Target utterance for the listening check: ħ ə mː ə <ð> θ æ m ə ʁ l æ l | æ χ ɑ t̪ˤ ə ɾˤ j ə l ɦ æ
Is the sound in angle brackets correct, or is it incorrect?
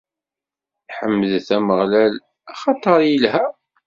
correct